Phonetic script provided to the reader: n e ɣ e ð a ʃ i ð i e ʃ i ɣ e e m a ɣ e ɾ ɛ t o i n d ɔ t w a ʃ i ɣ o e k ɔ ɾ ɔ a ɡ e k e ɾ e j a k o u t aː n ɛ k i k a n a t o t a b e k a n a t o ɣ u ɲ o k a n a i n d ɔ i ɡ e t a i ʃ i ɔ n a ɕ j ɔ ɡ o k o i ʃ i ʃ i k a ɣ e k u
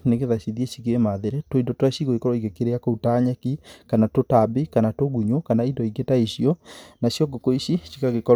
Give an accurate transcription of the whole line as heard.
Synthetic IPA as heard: n e ɣ e ð a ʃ i ð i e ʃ i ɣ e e m a ð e ɾ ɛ t o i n d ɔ t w a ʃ i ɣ o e k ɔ ɾ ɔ i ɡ e k e ɾ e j a k o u t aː ɲ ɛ k i k a n a t o t a b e k a n a t o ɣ u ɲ o k a n a i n d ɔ i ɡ e t a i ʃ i ɔ n a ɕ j ɔ ɡ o k o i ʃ i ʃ i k a ɣ e k ɔ